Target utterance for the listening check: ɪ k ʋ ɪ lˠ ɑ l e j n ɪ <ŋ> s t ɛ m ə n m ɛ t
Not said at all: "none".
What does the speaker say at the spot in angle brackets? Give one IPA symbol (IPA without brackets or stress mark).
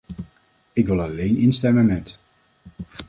n